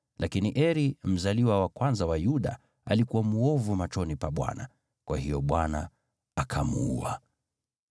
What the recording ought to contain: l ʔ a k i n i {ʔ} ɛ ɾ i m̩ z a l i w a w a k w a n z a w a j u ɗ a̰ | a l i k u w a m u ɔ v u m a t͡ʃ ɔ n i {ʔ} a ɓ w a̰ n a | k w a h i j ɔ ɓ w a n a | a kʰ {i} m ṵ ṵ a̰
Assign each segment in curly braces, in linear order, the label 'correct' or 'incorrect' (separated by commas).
correct, incorrect, incorrect